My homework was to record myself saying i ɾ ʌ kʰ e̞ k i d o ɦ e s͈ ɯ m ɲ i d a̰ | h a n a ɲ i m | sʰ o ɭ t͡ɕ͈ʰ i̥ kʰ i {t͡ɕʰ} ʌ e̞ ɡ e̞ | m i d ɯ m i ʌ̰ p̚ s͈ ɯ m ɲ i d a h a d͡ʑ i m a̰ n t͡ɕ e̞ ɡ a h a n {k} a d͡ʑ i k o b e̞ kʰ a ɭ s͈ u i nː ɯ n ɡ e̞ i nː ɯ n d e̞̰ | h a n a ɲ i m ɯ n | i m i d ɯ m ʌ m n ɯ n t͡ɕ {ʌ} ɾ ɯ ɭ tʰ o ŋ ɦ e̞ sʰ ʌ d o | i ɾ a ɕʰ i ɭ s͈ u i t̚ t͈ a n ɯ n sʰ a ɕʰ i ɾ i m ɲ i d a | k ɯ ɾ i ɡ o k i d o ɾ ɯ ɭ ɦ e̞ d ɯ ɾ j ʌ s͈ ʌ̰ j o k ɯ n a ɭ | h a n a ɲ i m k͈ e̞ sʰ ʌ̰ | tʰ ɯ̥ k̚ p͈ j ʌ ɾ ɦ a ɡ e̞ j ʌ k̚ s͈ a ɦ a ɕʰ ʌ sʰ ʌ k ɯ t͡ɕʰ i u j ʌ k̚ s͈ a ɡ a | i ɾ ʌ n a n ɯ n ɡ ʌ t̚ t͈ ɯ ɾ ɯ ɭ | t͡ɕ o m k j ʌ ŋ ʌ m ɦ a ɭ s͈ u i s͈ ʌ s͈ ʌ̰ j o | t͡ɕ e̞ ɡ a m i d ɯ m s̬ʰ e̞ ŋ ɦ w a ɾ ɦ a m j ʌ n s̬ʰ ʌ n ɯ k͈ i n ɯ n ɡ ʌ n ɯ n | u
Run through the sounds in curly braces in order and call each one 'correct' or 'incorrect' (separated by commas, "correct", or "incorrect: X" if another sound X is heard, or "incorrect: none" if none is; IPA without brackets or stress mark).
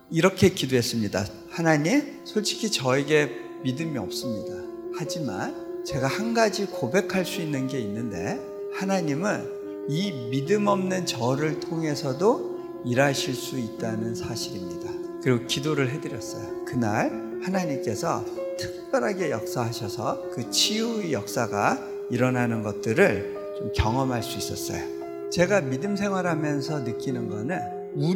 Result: incorrect: t͡ɕ, incorrect: ɡ, correct